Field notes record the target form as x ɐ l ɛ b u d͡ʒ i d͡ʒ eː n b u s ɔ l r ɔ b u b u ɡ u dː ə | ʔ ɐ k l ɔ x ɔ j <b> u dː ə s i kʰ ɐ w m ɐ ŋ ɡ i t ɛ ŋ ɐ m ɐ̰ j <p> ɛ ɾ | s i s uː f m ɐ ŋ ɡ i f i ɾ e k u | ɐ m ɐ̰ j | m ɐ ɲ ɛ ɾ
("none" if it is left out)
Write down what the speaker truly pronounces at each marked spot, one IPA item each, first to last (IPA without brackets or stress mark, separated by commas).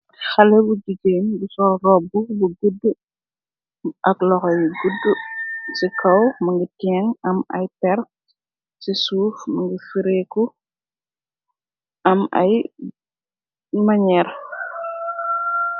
ɡ, p